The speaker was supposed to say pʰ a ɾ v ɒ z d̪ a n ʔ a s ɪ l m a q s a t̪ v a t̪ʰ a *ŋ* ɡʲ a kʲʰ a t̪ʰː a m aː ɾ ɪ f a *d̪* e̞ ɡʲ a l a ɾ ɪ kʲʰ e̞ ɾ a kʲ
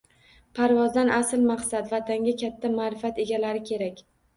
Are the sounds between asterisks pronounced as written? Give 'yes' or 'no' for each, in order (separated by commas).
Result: yes, no